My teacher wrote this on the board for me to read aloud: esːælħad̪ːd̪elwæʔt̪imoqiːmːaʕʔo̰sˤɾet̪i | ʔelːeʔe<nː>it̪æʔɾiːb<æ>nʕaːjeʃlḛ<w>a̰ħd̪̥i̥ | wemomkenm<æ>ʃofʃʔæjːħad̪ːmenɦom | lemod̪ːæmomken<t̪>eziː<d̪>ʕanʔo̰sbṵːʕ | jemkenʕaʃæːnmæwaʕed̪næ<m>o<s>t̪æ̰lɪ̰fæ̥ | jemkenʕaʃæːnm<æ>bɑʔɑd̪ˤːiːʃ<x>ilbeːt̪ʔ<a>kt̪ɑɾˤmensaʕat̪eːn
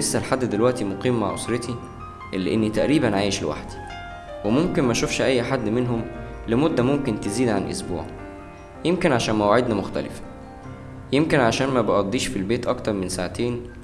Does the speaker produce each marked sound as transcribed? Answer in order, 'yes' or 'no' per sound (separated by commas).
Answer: yes, yes, yes, yes, yes, yes, yes, no, yes, no, no